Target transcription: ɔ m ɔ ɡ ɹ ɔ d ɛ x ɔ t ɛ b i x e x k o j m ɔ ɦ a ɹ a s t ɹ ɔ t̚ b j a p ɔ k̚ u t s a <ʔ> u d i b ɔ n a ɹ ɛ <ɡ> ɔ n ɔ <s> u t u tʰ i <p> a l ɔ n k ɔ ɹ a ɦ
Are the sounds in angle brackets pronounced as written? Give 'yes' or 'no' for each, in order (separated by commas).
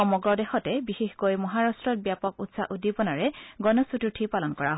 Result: yes, yes, yes, yes